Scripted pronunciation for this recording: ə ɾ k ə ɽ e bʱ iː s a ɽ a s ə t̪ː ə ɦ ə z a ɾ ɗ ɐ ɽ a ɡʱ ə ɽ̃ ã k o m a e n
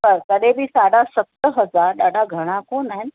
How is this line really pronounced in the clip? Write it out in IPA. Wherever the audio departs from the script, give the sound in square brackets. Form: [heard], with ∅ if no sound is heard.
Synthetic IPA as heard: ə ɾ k ə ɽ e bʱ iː s a ɽ a s ə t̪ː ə ɦ ə [d͡z] a ɾ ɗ [a] ɽ a ɡʱ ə ɽ̃ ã k o [n] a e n